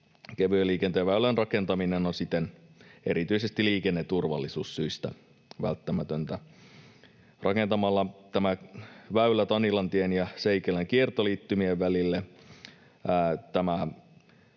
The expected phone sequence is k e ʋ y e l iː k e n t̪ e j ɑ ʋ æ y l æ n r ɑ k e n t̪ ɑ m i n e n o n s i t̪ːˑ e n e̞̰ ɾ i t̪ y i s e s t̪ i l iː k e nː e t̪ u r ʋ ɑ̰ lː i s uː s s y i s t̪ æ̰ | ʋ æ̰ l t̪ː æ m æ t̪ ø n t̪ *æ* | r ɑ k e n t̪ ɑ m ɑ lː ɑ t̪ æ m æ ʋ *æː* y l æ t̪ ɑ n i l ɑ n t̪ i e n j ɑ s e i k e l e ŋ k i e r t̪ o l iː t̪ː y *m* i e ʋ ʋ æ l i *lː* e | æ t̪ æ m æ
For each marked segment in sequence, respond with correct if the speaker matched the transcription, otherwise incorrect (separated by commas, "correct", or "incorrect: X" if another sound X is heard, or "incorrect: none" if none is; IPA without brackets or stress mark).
correct, incorrect: æ, correct, correct